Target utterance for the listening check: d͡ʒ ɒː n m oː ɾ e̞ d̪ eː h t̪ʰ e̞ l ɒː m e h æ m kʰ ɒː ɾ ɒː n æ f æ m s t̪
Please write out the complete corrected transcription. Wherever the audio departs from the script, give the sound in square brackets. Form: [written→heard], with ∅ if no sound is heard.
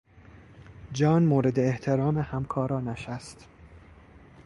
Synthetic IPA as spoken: d͡ʒ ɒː n m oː ɾ e̞ d̪ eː h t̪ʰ e̞ [l→ɾ] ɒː m e h æ m kʰ ɒː ɾ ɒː n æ [f→ʃ] æ [m→∅] s t̪